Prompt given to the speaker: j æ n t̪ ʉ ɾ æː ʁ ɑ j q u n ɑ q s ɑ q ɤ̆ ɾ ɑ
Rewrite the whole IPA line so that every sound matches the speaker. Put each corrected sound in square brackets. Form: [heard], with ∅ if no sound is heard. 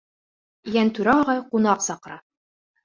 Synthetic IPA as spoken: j æ n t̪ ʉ ɾ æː ʁ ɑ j q u n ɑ q s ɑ q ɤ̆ ɾ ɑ

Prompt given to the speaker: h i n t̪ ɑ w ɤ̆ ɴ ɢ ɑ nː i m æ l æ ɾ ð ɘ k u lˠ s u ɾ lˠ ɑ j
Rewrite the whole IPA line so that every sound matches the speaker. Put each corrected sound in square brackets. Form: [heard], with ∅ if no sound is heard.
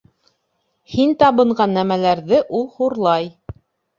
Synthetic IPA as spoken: h i n t̪ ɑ [β] ɤ̆ ɴ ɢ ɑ nː [æ] m æ l æ ɾ ð ɘ [ʔ] u lˠ [h] u ɾ lˠ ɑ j

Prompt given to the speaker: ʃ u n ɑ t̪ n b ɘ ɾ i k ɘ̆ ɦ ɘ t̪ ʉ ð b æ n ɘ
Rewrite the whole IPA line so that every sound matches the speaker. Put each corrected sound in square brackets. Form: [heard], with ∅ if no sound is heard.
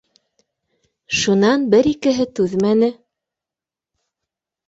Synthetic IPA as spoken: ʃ u n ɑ [∅] n b ɘ ɾ i k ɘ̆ ɦ ɘ t̪ ʉ ð [m] æ n ɘ

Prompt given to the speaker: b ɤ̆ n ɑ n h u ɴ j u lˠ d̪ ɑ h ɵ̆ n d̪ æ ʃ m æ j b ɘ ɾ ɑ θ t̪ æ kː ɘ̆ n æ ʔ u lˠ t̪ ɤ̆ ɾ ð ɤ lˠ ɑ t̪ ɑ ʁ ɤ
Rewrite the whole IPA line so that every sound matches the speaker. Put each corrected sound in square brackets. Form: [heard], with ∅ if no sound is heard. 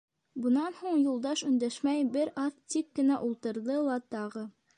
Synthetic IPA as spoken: b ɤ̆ n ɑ n h u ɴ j u lˠ d̪ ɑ [ʃ] ɵ̆ n d̪ æ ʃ m æ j b ɘ ɾ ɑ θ t̪ [i] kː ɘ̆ n æ ʔ u lˠ t̪ ɤ̆ ɾ ð ɤ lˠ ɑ t̪ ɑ ʁ ɤ

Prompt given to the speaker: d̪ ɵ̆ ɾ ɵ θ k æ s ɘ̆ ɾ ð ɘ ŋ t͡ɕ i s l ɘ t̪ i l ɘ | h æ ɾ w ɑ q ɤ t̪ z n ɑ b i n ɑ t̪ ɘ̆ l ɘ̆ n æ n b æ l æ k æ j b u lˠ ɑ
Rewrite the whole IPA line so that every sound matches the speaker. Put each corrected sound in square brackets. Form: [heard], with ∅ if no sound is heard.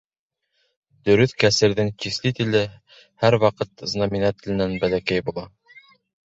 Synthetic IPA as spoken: d̪ ɵ̆ ɾ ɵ θ k æ s ɘ̆ ɾ ð ɘ ŋ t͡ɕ i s l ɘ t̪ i l ɘ | h æ ɾ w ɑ q ɤ t̪ z n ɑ [m] i n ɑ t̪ ɘ̆ l ɘ̆ n æ n b æ l æ k æ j b u lˠ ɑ

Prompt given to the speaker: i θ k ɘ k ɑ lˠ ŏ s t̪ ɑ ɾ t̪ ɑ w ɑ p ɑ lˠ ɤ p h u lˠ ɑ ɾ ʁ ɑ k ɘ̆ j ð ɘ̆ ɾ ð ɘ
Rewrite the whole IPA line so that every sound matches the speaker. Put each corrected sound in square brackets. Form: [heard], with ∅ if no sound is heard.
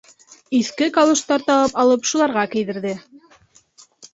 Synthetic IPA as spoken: i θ k ɘ k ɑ lˠ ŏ [ʃ] t̪ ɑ ɾ t̪ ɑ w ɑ p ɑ lˠ ɤ p [ʃ] u lˠ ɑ ɾ ʁ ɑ k ɘ̆ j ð ɘ̆ ɾ ð ɘ

